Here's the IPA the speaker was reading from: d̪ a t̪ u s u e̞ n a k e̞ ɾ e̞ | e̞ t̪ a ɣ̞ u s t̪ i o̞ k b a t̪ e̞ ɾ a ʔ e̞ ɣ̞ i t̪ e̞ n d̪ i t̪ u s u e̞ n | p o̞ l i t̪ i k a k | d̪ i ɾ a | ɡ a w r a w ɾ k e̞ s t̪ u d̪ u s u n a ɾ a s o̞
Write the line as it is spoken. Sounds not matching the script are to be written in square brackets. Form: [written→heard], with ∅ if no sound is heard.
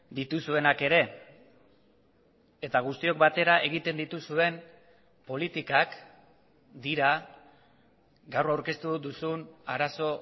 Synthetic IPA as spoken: d̪ [a→i] t̪ u s u e̞ n a k e̞ ɾ e̞ | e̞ t̪ a ɣ̞ u s t̪ i o̞ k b a t̪ e̞ ɾ a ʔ e̞ ɣ̞ i t̪ e̞ n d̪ i t̪ u s u e̞ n | p o̞ l i t̪ i k a k | d̪ i ɾ a | ɡ a w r a w ɾ k e̞ s t̪ u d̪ u s u n a ɾ a s o̞